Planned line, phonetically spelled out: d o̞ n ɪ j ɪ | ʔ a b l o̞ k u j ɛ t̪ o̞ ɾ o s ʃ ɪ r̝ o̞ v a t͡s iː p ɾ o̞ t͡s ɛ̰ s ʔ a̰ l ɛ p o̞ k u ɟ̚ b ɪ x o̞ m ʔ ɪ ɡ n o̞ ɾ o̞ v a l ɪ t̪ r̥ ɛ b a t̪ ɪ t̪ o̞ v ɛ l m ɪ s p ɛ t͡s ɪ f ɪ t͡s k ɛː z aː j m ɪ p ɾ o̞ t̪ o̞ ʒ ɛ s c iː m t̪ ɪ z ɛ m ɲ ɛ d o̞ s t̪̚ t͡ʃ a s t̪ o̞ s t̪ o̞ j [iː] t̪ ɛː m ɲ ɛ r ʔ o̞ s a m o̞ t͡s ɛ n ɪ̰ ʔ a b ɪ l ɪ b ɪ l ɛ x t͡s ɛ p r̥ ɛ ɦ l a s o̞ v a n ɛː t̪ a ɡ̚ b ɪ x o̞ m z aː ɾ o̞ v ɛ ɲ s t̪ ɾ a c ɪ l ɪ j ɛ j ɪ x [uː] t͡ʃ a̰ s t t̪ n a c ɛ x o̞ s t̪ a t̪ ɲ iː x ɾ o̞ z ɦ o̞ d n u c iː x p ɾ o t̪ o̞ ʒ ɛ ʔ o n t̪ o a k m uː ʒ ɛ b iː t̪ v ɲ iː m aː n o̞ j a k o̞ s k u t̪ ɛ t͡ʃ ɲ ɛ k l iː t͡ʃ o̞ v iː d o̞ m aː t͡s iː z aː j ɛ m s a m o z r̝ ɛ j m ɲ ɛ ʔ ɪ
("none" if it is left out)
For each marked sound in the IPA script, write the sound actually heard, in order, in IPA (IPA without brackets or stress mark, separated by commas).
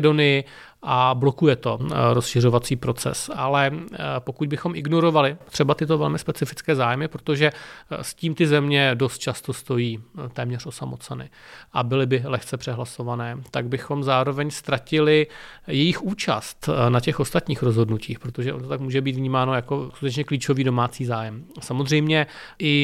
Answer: iː, uː